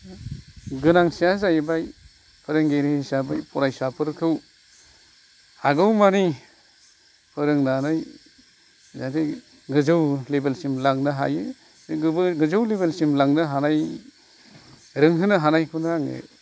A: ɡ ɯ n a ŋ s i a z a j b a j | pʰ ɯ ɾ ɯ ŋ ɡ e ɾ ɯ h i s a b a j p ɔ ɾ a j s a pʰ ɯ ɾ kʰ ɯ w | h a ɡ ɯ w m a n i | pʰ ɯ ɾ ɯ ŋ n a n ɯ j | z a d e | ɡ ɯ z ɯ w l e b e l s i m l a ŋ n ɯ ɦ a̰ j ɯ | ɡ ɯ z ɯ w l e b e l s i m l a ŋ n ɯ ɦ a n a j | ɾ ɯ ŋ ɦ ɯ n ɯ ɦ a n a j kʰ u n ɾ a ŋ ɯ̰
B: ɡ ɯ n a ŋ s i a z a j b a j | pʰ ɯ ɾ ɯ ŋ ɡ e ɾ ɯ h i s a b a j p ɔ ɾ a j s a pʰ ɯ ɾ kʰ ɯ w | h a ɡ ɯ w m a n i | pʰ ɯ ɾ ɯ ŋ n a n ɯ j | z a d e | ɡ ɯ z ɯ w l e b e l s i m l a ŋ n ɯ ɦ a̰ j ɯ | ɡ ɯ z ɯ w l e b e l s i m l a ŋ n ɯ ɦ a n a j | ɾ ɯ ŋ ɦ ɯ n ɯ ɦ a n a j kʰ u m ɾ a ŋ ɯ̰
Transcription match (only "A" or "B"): A